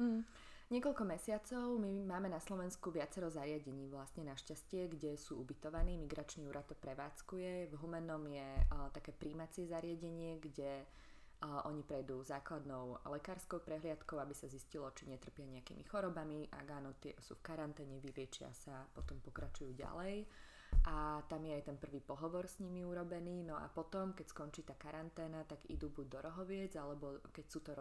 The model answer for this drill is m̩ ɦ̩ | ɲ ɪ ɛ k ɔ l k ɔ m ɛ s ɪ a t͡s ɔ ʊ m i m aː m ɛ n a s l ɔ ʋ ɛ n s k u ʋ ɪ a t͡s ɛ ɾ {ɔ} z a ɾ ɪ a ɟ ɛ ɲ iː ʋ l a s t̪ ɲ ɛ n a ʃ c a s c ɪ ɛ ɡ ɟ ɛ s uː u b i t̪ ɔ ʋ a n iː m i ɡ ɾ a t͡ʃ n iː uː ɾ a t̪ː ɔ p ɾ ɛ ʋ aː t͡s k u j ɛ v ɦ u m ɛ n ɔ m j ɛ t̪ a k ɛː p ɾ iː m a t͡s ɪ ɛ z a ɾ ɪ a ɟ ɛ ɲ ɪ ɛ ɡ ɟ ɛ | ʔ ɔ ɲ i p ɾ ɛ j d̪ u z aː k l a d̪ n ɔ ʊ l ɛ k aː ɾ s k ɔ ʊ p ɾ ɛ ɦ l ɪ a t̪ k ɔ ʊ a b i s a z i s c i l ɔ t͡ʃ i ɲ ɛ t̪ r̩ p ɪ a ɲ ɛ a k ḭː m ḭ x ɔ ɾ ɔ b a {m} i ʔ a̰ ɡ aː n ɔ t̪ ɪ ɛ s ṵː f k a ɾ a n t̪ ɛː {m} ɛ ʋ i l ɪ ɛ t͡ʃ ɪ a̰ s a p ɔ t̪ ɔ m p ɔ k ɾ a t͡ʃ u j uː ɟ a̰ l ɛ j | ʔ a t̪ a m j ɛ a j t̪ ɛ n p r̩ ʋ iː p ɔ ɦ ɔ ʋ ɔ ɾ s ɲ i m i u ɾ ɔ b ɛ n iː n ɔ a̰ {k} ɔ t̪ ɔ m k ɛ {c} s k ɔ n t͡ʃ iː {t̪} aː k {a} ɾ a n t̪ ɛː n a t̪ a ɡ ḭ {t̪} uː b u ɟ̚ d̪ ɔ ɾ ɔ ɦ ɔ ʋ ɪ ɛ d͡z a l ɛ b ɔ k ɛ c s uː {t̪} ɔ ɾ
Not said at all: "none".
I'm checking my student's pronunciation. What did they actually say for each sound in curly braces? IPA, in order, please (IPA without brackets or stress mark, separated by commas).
ɔ, m, ɲ, p, c, t̪, a, d̪, t̪